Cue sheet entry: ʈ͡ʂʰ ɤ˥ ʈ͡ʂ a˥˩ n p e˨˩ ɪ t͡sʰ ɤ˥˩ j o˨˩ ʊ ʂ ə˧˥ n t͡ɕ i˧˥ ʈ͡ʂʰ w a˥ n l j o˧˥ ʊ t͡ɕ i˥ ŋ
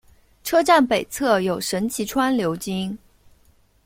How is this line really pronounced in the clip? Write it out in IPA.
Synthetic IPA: ʈ͡ʂʰ ɤ˥ ʈ͡ʂ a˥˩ n p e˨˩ ɪ t͡sʰ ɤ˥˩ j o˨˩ ʊ ʂ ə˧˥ n t͡ɕʰ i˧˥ ʈ͡ʂʰ w a˥ n l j o˧˥ ʊ t͡ɕ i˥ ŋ